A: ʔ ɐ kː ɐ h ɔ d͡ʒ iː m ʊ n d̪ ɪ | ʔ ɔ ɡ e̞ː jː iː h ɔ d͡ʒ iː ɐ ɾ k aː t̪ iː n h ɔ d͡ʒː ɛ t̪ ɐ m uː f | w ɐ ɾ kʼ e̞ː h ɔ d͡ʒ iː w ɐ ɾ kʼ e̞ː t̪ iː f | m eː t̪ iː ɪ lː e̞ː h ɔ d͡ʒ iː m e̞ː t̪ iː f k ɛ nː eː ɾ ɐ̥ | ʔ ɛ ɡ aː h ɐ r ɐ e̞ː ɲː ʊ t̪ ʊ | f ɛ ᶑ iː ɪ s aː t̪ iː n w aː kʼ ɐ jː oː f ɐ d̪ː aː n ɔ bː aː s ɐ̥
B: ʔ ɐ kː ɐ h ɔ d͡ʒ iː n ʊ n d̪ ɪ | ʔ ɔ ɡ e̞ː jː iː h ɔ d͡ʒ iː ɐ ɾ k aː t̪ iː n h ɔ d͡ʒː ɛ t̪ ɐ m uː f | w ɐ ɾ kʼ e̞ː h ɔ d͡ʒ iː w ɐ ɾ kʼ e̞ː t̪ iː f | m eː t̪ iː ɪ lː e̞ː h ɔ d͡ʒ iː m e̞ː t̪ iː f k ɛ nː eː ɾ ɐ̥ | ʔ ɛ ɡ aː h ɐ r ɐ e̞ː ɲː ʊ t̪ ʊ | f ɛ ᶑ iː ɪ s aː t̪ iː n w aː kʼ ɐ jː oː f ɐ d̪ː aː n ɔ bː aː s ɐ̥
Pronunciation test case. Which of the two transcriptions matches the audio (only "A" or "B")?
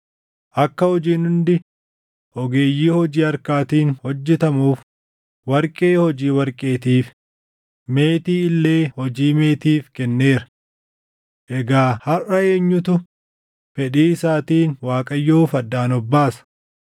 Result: B